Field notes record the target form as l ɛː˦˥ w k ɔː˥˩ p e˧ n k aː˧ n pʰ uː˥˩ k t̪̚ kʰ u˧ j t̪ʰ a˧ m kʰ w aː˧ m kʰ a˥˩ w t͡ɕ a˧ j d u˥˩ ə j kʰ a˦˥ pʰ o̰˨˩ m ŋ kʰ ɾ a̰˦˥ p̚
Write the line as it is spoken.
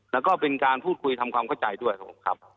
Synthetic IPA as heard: l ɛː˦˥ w k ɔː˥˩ p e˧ n k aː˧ n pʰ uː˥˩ t̪̚ kʰ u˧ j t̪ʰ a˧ m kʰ w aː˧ m kʰ a˥˩ w t͡ɕ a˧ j d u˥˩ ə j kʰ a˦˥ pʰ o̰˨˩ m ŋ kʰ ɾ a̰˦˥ p̚